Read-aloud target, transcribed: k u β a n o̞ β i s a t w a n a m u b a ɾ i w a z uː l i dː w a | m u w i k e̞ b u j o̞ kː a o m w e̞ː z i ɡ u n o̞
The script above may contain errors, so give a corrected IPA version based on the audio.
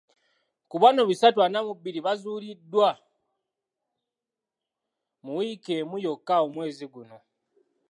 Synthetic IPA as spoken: k u β a n o̞ β i s a t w a n a m u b i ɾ i β a z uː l i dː w a | m u w i k e̞ m u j o̞ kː a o m w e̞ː z i ɡ u n o̞